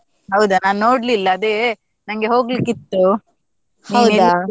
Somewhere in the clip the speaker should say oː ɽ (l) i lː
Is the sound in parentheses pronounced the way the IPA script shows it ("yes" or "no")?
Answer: yes